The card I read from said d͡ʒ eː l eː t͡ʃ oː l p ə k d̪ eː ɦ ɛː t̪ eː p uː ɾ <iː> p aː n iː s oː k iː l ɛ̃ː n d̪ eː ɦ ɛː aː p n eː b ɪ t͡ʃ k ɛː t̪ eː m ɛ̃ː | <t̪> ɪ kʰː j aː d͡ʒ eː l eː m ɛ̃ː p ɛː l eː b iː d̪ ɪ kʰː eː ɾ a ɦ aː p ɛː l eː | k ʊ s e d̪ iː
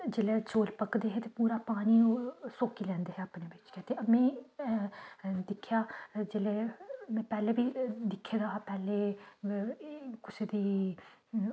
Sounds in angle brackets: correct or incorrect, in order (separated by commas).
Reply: incorrect, incorrect